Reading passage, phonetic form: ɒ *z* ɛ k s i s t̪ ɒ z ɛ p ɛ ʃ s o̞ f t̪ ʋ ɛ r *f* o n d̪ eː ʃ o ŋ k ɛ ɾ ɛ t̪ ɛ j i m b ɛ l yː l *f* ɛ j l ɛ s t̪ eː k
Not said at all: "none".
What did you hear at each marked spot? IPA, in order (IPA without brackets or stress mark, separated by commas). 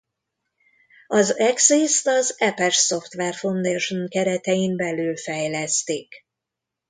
z, f, f